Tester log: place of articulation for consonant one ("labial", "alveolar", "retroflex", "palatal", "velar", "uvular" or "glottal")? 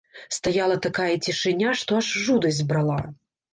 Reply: alveolar